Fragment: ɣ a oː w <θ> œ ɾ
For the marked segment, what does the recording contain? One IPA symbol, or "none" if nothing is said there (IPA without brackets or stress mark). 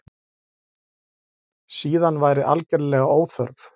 θ